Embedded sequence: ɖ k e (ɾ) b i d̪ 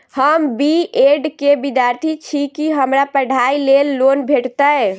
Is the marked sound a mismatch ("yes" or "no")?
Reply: yes